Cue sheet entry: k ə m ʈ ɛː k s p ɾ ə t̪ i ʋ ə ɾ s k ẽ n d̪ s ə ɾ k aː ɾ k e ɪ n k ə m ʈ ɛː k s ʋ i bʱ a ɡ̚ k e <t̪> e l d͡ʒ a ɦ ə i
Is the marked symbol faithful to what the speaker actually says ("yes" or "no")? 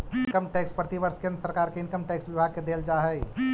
no